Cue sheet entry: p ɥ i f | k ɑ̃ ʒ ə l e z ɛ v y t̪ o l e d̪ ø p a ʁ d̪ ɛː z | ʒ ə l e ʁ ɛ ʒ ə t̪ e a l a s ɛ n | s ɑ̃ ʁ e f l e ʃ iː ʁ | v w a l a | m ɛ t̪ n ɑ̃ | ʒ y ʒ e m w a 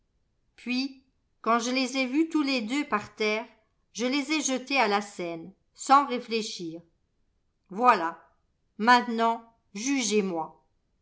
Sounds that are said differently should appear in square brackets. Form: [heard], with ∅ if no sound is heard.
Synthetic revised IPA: p ɥ i [∅] | k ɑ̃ ʒ ə l e z ɛ v y t̪ [u] l e d̪ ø p a ʁ [t̪] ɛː [ʁ] | ʒ ə l e [z] ɛ ʒ ə t̪ e a l a s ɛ n | s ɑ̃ ʁ e f l e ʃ iː ʁ | v w a l a | m [ɛ̃] t̪ n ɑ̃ | ʒ y ʒ e m w a